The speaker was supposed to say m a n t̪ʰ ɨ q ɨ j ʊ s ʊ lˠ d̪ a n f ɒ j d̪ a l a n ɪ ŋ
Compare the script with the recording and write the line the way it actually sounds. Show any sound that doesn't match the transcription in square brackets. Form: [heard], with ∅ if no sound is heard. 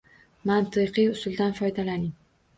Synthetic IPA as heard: m a n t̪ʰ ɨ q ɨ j ʊ s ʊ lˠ d̪ a n f ɒ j d̪ a l a n ɪ ŋ